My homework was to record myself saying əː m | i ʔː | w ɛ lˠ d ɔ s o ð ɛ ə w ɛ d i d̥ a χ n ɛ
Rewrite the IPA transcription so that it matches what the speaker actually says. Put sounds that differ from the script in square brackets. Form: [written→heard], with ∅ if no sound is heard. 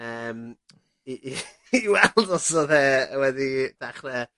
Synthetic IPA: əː m | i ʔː | w ɛ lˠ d ɔ s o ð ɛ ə w ɛ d i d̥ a χ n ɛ